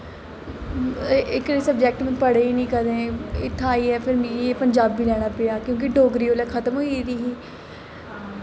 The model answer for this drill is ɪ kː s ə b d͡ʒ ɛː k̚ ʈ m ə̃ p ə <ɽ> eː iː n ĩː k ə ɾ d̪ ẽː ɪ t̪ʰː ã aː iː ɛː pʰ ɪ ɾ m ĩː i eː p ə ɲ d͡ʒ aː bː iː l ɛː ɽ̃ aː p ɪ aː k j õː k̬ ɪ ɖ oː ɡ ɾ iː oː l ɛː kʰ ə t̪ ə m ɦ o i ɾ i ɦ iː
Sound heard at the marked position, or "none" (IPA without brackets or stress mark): ɽ